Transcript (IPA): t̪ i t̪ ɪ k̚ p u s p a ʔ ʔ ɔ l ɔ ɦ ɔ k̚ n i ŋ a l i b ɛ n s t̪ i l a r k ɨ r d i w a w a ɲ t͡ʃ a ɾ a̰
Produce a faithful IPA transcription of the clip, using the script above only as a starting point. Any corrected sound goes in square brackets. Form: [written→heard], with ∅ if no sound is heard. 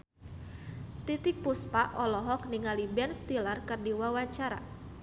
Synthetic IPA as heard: t̪ i t̪ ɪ k̚ p u s p a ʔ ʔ ɔ l ɔ ɦ ɔ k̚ n i ŋ a l i b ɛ n s t̪ i l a r k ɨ r d i w a w a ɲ t͡ʃ a ɾ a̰